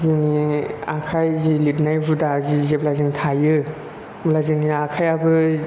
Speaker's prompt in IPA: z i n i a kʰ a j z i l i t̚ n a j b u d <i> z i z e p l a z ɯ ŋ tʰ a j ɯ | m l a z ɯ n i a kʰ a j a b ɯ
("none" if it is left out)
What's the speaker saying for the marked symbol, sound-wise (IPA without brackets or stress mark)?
a